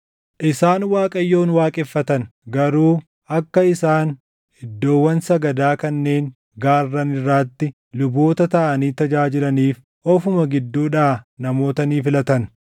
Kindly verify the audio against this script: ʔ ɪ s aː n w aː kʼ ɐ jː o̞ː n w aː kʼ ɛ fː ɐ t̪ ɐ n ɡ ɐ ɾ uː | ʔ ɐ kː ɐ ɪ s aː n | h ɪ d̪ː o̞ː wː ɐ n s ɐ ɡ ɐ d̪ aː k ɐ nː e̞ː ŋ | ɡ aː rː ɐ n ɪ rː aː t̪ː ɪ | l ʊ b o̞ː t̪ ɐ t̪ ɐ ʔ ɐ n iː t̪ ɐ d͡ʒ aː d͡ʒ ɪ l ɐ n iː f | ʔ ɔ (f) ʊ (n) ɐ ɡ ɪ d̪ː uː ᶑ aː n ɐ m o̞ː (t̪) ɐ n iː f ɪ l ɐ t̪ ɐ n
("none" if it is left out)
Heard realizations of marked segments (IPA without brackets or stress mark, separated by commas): f, m, t̪